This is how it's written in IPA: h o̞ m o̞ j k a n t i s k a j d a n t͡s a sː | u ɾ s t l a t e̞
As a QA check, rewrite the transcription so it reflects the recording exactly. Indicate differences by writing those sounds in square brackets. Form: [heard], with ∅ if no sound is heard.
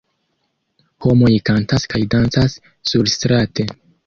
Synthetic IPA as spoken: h o̞ m o̞ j k a n t [a] s k a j d a n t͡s a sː | u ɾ s t [ɾ] a t e̞